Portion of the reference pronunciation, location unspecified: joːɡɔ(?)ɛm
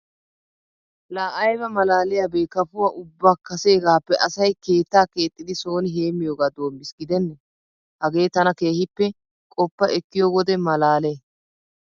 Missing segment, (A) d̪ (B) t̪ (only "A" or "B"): A